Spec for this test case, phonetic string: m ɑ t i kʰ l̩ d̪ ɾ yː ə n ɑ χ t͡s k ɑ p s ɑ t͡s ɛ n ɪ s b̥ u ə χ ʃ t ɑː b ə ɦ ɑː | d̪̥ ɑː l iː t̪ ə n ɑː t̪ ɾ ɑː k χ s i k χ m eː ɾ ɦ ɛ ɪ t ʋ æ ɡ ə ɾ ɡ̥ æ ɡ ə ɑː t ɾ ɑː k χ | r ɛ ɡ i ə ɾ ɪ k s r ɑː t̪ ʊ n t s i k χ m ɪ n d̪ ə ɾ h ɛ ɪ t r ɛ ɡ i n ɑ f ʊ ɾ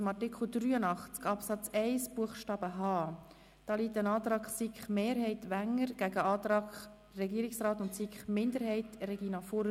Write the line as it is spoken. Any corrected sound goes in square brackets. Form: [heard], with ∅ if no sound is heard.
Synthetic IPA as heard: m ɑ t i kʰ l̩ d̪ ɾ yː ə n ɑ χ t͡s k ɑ p s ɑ t͡s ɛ [∅] ɪ s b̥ u ə χ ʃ t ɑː b ə ɦ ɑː | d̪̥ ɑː l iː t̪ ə n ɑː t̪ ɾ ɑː k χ s i k χ m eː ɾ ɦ ɛ ɪ t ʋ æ [ŋ] ə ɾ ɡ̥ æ ɡ ə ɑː t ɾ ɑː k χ | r ɛ ɡ i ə ɾ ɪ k s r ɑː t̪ ʊ n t s i k χ m ɪ n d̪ ə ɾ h ɛ ɪ t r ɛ ɡ i n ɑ f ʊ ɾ